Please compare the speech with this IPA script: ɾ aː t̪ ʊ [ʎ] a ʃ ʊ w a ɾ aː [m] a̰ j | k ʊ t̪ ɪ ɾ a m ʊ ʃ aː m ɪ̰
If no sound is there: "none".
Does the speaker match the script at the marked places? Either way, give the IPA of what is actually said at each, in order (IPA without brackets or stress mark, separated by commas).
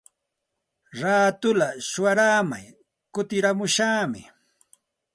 l, m